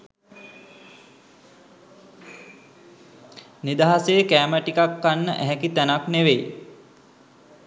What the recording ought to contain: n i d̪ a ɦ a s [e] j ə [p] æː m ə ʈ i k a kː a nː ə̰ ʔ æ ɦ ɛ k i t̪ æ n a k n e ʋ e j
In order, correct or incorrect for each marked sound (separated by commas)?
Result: correct, incorrect